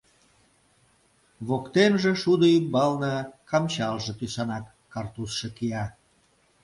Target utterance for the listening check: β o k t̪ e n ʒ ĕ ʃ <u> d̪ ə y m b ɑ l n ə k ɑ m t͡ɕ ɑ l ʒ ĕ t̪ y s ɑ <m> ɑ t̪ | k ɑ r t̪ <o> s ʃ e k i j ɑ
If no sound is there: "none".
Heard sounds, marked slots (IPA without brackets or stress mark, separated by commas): u, n, u